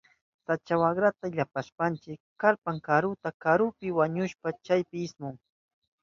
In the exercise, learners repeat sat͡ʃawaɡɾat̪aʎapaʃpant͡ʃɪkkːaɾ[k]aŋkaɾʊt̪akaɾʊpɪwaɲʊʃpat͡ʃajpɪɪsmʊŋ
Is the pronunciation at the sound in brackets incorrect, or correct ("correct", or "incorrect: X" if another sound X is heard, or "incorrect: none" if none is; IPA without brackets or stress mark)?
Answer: incorrect: p